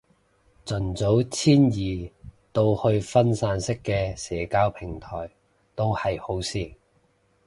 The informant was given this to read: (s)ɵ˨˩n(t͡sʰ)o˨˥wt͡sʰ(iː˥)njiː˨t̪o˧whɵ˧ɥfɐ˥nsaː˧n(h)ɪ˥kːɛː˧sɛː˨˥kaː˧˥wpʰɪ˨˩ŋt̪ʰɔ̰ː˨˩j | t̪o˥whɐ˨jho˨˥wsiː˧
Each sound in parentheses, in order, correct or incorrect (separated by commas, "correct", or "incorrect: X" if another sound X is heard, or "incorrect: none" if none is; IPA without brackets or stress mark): incorrect: t͡s, incorrect: t͡s, correct, incorrect: s